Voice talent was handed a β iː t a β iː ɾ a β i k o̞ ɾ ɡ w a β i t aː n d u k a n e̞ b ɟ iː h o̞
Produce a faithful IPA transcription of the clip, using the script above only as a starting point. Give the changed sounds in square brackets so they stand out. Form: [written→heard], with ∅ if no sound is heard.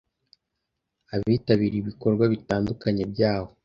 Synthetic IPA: a β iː t a β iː ɾ [a→i] β i k o̞ ɾ ɡ w a β i t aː n d u k a [n→ɲ] e̞ b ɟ [iː→aː] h o̞